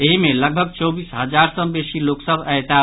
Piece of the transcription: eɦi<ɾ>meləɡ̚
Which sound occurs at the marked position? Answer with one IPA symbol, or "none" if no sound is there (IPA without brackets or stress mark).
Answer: none